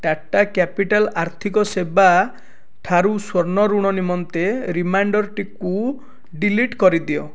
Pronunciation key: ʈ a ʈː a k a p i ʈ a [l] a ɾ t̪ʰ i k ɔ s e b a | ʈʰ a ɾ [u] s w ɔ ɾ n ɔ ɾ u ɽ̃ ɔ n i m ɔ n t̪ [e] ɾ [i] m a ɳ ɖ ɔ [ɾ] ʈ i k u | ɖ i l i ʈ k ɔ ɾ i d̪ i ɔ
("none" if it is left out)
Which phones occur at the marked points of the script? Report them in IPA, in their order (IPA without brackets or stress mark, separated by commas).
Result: l, u, e, i, ɾ